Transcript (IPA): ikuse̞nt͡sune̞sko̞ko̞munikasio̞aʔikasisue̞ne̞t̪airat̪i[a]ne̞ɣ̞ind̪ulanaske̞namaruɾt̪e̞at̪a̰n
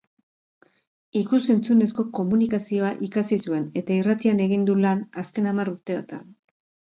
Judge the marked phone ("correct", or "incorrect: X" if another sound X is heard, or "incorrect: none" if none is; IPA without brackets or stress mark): correct